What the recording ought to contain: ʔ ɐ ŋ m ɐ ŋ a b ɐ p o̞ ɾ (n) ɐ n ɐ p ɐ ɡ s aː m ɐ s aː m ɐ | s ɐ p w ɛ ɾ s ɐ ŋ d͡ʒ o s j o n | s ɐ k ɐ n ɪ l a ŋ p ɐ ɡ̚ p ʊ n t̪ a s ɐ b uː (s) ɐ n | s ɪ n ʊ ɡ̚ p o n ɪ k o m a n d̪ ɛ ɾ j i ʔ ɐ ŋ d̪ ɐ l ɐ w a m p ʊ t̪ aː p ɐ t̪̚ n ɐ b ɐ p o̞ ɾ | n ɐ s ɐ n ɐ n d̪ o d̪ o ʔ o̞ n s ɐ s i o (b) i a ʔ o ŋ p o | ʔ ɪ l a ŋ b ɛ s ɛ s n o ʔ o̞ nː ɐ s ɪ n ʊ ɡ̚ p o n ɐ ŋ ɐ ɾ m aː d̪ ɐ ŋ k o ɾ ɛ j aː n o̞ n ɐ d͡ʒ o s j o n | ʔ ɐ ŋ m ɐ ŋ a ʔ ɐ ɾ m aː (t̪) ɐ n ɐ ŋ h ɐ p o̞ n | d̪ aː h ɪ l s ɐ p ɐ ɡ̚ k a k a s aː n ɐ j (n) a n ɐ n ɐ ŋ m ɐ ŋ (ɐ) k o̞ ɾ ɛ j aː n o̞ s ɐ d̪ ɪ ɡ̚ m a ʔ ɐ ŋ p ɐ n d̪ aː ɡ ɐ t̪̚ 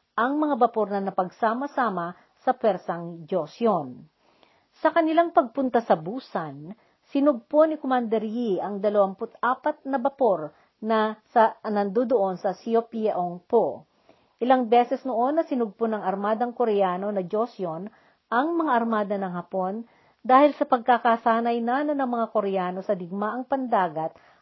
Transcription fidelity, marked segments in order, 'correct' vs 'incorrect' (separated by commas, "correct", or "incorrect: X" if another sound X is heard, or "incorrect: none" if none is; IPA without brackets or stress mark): correct, correct, incorrect: p, incorrect: d̪, correct, incorrect: a